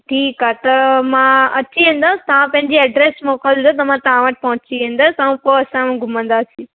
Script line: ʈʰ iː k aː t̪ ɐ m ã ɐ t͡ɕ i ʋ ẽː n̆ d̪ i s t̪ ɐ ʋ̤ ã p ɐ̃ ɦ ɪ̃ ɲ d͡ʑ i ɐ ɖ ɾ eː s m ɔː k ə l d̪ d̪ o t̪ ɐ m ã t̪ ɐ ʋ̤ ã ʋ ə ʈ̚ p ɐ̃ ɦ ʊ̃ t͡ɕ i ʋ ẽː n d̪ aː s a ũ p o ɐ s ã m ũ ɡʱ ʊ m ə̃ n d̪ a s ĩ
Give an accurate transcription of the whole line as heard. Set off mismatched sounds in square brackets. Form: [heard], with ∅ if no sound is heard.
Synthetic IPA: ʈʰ iː k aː t̪ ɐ m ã ɐ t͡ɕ i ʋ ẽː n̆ d̪ [a] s t̪ ɐ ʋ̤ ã p ɐ̃ ɦ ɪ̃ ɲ d͡ʑ i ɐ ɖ ɾ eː s m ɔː k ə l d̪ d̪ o t̪ ɐ m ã t̪ ɐ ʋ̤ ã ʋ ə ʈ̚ p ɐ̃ ɦ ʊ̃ t͡ɕ i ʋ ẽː n d̪ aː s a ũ p o ɐ s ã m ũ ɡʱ ʊ m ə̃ n d̪ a s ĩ